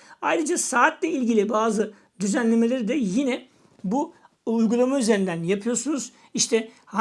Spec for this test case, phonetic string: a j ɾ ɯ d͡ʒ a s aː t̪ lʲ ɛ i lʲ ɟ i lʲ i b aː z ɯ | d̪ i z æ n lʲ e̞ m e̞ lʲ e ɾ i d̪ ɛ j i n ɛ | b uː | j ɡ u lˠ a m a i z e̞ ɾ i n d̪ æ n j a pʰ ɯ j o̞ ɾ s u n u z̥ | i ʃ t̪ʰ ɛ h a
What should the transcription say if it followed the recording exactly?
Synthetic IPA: a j ɾ ɯ d͡ʒ a s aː t̪ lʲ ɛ i lʲ ɟ i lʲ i b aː z ɯ | d̪ y z æ n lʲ e̞ m e̞ lʲ e ɾ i d̪ ɛ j i n ɛ | b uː | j ɡ u lˠ a m a y z e̞ ɾ i n d̪ æ n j a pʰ ɯ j o̞ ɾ s u n u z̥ | i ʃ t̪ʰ ɛ h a